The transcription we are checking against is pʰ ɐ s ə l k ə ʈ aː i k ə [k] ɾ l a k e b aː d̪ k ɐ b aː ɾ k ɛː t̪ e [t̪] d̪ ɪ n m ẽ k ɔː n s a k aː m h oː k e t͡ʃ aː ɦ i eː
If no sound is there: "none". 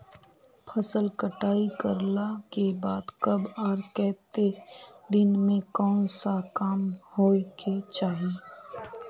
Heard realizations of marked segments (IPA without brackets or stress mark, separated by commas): none, none